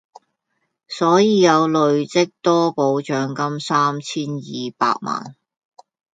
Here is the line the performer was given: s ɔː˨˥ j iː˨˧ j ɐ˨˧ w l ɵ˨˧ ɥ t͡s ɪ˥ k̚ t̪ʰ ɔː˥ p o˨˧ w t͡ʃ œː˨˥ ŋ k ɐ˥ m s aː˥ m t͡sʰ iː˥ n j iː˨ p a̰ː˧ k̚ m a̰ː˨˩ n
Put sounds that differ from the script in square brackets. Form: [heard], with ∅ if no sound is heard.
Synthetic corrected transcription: s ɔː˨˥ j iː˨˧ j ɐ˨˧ w l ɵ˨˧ ɥ t͡s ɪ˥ k̚ [t̪] ɔː˥ p o˨˧ w t͡ʃ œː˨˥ ŋ k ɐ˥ m s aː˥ m t͡sʰ iː˥ n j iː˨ p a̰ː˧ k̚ m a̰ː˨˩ n